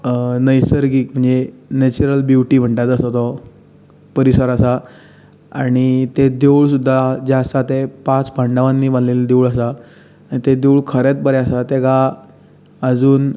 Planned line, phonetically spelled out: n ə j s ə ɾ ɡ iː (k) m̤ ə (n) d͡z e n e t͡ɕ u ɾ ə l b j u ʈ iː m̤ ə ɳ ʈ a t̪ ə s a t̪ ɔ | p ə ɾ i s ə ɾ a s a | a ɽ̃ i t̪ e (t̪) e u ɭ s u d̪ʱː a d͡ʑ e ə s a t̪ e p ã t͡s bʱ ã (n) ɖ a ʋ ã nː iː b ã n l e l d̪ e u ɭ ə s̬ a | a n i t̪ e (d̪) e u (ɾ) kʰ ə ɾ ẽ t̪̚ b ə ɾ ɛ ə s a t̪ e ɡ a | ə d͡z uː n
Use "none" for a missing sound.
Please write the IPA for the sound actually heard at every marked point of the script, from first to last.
k, ɳ, d̪, ɳ, d̪, ɭ

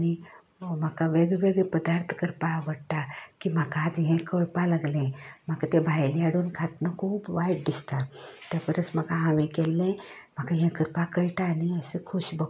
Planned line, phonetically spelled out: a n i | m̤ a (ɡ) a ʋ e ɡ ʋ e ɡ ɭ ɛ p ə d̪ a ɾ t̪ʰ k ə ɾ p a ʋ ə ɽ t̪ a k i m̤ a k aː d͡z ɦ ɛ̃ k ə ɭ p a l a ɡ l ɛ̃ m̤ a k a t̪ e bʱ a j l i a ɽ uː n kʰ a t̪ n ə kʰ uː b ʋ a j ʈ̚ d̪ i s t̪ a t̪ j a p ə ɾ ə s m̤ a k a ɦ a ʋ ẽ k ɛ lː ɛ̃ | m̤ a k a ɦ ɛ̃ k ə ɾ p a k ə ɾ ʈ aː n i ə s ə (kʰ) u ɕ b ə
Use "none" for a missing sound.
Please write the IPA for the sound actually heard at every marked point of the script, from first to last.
k, kʰ

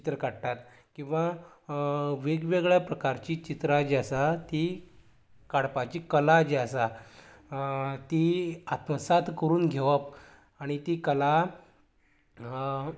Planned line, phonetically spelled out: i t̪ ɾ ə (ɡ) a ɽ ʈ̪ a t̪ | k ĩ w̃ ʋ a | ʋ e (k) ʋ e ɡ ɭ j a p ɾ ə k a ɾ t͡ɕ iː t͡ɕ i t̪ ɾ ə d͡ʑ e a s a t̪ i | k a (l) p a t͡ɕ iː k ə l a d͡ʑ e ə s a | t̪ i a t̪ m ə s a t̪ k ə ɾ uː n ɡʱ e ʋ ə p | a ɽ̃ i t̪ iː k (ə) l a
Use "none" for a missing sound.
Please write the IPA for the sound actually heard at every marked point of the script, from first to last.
k, ɡ, ɽ, ə

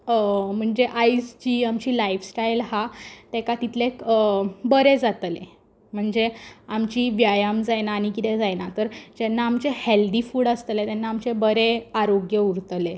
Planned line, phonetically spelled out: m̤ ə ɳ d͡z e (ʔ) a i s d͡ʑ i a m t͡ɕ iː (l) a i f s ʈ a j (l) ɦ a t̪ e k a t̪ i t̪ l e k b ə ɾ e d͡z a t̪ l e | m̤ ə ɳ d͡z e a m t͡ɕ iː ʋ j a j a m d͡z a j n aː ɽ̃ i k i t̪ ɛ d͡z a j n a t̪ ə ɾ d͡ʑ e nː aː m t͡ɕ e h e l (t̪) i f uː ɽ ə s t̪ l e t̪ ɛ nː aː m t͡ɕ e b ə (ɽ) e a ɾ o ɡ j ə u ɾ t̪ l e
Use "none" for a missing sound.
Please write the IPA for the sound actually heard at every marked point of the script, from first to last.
ʔ, l, l, d̪, ɾ

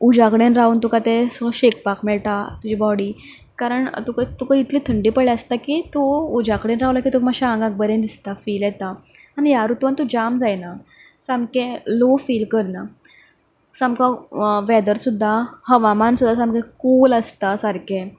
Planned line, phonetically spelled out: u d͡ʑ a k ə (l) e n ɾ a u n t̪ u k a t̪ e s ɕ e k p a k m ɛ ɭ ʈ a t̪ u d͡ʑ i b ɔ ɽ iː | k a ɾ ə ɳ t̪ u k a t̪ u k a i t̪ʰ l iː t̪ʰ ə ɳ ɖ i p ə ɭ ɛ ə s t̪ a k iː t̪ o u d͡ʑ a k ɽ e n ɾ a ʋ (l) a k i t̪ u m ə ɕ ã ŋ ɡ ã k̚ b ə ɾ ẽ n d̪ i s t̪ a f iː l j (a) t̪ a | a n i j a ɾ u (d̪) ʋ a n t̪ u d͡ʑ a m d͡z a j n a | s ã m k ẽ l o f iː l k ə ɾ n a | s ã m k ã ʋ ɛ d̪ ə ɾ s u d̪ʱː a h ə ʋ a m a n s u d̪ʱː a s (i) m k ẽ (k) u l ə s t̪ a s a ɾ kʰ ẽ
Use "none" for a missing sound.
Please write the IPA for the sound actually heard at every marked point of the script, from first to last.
ɽ, l, ɛ, t̪, a, k

